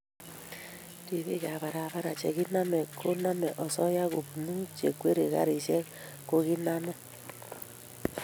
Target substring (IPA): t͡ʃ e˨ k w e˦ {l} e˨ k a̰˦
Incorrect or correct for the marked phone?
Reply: incorrect: ɾ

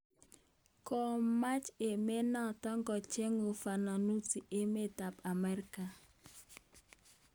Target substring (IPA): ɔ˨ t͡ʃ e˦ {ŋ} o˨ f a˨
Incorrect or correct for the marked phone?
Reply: correct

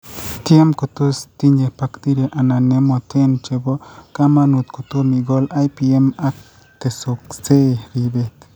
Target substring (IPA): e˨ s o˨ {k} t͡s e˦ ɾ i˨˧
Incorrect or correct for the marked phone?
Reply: correct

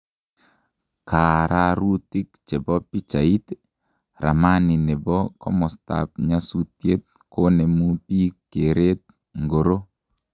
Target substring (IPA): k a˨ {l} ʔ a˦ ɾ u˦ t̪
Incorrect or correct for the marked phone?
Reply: incorrect: ɾ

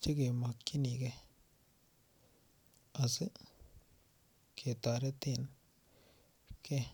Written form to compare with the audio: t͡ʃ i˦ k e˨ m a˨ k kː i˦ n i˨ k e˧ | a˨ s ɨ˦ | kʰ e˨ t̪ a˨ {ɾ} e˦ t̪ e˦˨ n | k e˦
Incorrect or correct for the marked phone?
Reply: correct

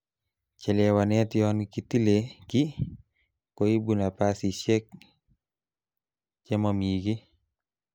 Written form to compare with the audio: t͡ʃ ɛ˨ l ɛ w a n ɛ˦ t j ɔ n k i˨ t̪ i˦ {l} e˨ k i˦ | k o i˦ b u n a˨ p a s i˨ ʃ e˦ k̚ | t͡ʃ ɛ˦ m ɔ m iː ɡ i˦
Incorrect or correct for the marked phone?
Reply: correct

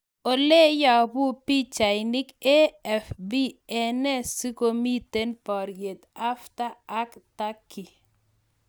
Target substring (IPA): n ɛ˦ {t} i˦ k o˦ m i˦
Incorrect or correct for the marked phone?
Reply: incorrect: s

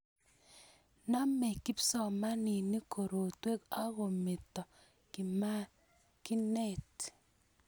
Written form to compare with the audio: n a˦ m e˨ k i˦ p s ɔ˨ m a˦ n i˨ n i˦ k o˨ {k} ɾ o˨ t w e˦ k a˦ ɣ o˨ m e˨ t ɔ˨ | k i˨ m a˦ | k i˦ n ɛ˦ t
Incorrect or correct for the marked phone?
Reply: incorrect: none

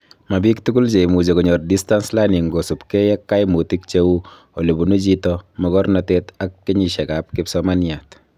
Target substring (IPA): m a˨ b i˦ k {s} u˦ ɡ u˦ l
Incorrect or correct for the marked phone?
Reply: incorrect: t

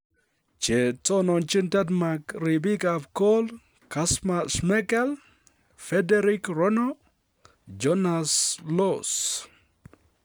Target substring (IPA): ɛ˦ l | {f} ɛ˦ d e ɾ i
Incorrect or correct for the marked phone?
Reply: correct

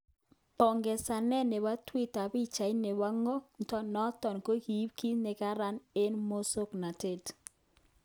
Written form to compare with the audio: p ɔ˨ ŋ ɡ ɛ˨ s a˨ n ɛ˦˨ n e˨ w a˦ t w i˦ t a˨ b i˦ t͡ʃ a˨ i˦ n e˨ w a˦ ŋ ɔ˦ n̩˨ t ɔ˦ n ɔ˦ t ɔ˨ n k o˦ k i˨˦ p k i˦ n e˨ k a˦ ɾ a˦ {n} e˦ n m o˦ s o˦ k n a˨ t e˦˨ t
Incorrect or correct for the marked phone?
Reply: correct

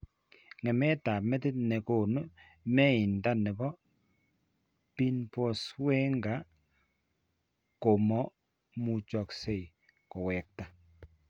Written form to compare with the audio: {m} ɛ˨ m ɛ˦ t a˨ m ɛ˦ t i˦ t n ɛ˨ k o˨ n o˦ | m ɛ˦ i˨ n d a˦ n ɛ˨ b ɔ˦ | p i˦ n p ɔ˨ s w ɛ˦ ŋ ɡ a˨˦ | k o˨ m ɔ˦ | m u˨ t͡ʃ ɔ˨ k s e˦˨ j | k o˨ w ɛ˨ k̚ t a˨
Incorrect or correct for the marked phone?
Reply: incorrect: ŋ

